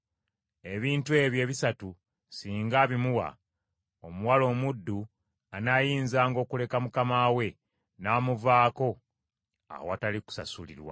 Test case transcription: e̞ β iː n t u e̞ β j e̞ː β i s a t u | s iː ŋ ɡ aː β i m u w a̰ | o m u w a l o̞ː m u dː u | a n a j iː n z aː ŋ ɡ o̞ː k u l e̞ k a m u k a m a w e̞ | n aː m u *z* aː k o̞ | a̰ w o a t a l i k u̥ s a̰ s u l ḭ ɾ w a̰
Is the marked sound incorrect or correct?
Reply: incorrect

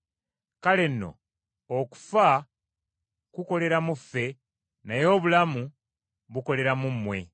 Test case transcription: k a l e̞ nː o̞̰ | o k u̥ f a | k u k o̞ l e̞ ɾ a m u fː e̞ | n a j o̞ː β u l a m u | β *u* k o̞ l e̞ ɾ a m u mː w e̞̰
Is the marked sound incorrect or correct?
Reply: correct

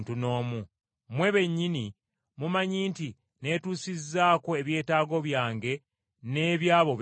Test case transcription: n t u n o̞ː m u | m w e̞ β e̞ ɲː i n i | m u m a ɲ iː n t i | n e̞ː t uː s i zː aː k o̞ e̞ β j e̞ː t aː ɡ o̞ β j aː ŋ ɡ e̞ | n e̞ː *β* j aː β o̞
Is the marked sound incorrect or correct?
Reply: correct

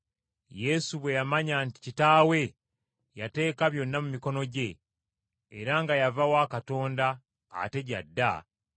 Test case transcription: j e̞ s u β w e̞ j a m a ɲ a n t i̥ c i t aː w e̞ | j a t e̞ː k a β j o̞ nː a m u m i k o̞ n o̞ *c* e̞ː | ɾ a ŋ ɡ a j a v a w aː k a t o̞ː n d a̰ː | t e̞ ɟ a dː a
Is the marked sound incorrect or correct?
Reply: incorrect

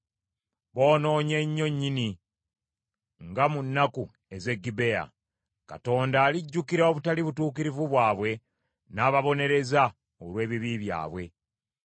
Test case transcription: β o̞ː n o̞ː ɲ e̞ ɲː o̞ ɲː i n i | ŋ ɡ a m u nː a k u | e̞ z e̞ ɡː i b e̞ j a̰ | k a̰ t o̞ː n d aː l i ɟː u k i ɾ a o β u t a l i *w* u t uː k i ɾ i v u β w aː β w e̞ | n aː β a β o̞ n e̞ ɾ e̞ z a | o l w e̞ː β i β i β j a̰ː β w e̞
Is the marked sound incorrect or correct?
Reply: incorrect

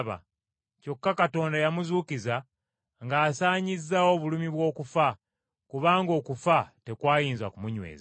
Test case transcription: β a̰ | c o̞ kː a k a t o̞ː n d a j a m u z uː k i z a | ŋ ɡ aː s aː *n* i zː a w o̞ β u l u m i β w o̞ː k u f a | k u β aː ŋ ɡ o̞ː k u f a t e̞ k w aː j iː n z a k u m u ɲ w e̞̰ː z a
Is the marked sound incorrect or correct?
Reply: incorrect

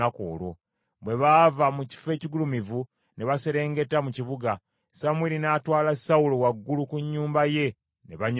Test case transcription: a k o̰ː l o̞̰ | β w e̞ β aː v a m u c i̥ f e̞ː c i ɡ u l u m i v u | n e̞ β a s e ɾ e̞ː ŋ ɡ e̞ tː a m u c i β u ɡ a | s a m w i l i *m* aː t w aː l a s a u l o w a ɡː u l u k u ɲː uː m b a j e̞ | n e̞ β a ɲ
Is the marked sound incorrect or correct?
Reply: incorrect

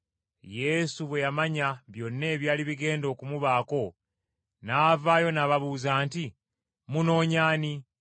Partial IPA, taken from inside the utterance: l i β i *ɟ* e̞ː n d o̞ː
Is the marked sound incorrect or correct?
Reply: incorrect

